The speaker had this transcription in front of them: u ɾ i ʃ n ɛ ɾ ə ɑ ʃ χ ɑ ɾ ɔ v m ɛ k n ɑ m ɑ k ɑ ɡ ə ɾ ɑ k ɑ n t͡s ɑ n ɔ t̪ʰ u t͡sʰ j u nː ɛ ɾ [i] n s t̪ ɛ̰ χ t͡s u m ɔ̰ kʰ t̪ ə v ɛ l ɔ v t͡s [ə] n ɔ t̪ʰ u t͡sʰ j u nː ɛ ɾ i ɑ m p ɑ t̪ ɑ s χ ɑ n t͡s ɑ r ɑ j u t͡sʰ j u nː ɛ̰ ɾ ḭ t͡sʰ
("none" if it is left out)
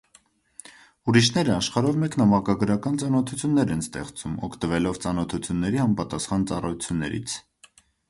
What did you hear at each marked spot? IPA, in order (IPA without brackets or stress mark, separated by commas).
ɛ, ɑ